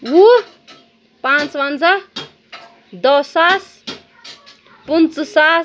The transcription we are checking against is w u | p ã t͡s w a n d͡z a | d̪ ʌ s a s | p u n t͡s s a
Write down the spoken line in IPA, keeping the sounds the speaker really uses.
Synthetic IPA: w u | p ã t͡s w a n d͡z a | d̪ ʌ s a s | p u n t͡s s a